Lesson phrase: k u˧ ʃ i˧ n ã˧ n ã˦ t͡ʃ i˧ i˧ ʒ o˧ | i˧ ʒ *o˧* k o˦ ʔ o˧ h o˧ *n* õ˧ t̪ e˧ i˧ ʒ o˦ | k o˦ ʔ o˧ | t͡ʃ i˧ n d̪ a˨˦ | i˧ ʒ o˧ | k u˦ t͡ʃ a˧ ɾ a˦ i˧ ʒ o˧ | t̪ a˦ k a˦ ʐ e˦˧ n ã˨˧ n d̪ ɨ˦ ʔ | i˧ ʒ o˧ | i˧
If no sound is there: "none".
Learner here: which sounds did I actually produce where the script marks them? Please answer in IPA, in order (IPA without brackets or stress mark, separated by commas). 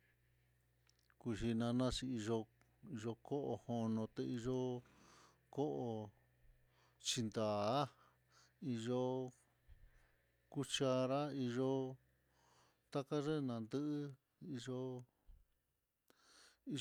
o˧, n